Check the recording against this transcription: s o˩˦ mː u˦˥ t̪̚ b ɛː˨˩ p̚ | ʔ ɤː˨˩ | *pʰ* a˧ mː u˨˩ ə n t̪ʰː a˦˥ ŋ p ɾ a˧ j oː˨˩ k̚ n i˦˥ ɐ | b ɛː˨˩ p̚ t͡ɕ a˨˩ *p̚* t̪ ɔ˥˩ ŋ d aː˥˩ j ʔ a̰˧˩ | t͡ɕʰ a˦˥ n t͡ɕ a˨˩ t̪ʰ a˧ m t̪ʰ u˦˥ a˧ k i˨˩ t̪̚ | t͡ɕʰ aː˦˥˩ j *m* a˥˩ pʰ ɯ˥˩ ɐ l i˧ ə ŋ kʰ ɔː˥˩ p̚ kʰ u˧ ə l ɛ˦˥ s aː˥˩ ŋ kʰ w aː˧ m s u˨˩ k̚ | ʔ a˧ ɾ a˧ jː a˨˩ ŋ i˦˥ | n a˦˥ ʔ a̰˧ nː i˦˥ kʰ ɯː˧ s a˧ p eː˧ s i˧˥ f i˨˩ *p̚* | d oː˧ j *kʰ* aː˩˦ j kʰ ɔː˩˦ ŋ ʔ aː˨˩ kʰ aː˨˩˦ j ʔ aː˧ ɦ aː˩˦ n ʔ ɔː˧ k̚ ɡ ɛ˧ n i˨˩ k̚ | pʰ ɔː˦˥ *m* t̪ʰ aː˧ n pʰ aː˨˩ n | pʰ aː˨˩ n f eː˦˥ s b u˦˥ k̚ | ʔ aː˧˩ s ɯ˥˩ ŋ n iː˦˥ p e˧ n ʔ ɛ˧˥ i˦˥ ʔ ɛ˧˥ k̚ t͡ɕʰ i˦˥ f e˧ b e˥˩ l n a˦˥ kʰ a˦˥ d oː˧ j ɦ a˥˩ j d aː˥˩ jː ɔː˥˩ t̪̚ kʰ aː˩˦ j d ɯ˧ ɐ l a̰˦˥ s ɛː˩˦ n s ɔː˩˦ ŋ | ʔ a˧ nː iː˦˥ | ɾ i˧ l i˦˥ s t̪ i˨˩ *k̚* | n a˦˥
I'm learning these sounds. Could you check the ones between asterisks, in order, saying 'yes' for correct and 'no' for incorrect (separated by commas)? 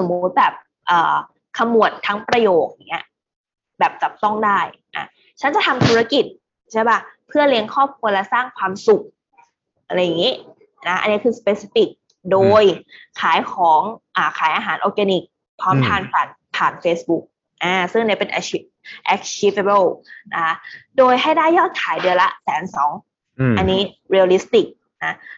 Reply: no, yes, no, no, yes, yes, yes